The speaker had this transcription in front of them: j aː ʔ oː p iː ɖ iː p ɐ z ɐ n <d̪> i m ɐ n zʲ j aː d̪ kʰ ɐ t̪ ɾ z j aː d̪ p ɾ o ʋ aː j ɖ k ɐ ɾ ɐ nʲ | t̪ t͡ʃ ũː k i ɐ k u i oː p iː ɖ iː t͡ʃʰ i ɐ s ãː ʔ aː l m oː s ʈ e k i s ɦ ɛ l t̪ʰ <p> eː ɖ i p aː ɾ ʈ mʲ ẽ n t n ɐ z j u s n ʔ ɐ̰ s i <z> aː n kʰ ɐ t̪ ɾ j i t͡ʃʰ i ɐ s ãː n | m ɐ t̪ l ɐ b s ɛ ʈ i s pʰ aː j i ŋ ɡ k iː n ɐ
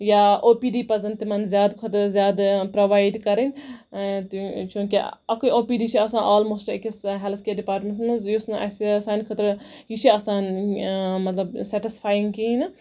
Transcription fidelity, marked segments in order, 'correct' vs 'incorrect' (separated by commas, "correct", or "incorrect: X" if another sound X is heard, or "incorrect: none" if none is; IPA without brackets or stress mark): incorrect: t̪, incorrect: k, incorrect: s